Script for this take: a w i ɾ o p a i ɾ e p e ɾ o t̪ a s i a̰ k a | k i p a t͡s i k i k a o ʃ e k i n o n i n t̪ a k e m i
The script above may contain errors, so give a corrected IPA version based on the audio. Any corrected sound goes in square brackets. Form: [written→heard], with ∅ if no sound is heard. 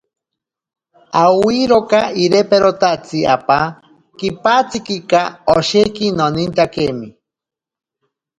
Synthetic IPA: a w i ɾ o [p→k] a i ɾ e p e ɾ o t̪ a [s→t͡s] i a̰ [k→p] a | k i p a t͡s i k i k a o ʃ e k i n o n i n t̪ a k e m i